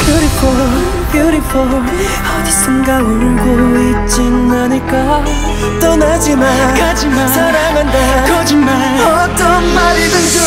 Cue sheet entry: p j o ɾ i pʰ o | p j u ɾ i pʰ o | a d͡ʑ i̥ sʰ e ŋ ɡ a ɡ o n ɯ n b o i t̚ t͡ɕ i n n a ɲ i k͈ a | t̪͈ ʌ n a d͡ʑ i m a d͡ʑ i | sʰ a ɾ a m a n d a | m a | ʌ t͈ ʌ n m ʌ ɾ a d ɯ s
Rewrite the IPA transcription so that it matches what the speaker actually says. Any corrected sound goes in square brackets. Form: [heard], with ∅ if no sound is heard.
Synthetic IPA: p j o ɾ i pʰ o | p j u ɾ i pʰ o | [ʌ] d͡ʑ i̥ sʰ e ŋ ɡ a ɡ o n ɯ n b o i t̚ t͡ɕ i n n a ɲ i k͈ a | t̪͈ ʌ n a d͡ʑ i m a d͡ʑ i | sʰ a ɾ a m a n d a | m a | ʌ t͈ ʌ n m [a] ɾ [i] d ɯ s

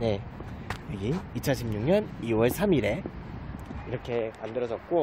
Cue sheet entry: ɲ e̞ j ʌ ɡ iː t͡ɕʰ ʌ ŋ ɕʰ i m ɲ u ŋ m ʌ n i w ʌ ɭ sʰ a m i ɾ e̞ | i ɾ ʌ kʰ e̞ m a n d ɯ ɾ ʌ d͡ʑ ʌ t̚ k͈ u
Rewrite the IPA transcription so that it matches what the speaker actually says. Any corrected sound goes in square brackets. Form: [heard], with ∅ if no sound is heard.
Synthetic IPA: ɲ e̞ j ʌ ɡ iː t͡ɕʰ ʌ [n] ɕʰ i m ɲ u ŋ [ɲ] ʌ n i w ʌ ɭ sʰ a m i ɾ e̞ | i ɾ ʌ kʰ e̞ m a n d ɯ ɾ ʌ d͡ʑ ʌ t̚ k͈ [o]

